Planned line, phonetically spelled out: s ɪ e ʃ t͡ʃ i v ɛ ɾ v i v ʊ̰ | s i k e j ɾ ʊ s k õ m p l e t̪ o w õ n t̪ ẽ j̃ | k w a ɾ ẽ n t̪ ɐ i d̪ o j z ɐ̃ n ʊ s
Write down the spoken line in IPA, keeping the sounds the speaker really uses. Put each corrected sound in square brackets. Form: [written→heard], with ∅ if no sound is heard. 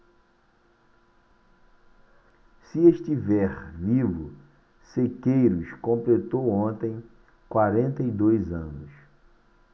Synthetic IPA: s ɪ e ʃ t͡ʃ i v ɛ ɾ v i v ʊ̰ | s [i→e] k e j ɾ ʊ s k õ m p l e t̪ o w õ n t̪ ẽ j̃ | k w a ɾ ẽ n t̪ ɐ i d̪ o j z ɐ̃ n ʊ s